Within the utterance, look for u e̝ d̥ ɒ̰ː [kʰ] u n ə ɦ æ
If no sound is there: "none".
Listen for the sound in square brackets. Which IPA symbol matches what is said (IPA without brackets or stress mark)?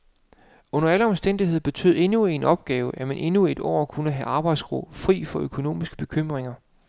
kʰ